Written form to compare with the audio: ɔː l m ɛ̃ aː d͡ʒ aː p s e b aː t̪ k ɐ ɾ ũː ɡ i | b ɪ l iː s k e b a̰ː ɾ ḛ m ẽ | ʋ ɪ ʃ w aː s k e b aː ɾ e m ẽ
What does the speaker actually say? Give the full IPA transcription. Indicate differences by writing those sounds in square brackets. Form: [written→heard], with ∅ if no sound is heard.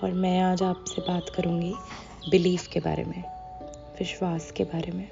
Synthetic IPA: ɔː [l→ɾ] m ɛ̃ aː d͡ʒ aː p s e b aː t̪ k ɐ ɾ ũː ɡ i | b ɪ l iː [s→f] k e b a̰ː ɾ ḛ m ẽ | ʋ ɪ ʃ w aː s k e b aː ɾ e m ẽ